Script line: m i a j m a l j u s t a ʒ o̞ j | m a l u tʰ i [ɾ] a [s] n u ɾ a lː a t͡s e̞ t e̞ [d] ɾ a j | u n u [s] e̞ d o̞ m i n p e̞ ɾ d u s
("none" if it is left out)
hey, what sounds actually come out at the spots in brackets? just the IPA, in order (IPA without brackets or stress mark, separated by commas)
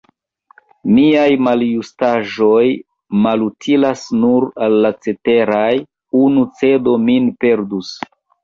l, s, none, t͡s